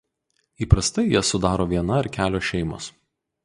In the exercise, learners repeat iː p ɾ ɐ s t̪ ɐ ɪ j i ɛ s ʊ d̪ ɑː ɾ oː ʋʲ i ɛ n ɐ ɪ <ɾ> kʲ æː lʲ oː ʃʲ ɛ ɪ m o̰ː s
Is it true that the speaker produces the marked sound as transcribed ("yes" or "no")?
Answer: yes